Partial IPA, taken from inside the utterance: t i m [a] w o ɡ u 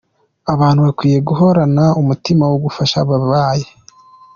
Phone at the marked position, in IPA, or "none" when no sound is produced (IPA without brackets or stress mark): a